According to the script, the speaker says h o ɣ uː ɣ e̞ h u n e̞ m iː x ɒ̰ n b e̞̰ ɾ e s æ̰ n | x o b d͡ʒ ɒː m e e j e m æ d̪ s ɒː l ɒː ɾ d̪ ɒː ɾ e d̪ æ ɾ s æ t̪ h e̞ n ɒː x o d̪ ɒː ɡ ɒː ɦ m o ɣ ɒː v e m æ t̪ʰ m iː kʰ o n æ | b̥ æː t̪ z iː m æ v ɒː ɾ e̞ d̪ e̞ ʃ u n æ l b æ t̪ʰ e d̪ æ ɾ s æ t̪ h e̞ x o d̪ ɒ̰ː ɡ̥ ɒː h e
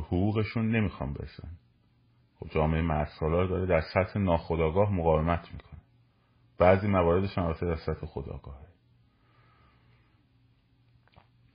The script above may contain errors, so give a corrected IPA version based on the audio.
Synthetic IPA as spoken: h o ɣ uː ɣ e̞ ʃ u nː e̞ m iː x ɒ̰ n b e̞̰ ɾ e s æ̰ n | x o b d͡ʒ ɒː m e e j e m æ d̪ s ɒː l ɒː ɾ d̪ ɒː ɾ e d̪ æ ɾ s æ t̪ h e̞ n ɒː x o d̪ ɒː ɡ ɒː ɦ m o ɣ ɒː v e m æ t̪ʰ m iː kʰ o n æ | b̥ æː z iː m æ v ɒː ɾ e̞ d̪ e̞ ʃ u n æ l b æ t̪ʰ e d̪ æ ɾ s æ t̪ h e̞ x o d̪ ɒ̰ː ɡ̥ ɒː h e